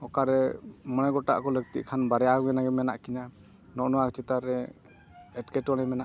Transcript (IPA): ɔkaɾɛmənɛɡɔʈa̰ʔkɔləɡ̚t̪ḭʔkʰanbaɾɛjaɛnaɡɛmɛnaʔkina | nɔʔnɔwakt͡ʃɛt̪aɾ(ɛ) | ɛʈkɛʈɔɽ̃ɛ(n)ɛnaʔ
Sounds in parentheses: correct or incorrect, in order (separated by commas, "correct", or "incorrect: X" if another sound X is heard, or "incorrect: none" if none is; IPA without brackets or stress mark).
correct, incorrect: m